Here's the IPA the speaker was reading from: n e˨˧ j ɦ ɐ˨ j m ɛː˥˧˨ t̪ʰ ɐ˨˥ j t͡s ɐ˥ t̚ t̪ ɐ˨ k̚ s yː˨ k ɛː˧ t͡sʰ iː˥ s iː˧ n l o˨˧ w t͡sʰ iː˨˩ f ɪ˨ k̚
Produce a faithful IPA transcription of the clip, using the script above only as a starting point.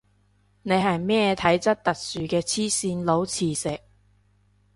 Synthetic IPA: n e˨˧ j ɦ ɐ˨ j m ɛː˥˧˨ t̪ʰ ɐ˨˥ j t͡s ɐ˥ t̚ t̪ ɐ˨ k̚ s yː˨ k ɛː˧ t͡sʰ iː˥ s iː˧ n l o˨˧ w t͡sʰ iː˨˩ s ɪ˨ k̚